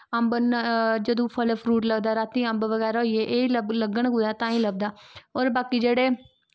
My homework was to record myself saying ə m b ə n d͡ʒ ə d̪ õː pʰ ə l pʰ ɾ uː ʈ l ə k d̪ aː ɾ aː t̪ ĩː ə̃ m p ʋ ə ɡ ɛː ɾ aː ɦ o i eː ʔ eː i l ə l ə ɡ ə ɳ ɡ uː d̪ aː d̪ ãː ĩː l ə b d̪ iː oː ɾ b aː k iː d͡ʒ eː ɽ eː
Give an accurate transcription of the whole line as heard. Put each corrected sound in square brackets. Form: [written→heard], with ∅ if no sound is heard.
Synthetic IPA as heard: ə m b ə n d͡ʒ ə d̪ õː pʰ ə l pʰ ɾ uː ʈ l ə [k→ɡ] d̪ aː ɾ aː t̪ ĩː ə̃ m [p→b] ʋ ə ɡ ɛː ɾ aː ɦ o i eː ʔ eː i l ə l ə ɡ ə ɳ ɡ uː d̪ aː [d̪→t̪] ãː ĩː l ə b d̪ [iː→aː] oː ɾ b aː k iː d͡ʒ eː ɽ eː